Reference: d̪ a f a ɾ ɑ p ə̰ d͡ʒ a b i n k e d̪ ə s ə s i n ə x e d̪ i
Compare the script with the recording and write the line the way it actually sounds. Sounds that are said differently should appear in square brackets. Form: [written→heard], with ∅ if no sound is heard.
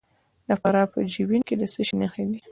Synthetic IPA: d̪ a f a ɾ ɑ p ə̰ d͡ʒ [a→i] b i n k e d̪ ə s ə [s→ʃ] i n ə x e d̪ i